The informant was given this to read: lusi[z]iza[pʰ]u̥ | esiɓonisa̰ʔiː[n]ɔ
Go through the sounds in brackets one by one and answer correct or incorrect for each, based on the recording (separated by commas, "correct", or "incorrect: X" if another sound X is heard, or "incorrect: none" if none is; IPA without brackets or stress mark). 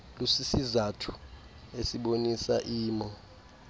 incorrect: s, incorrect: tʰ, incorrect: m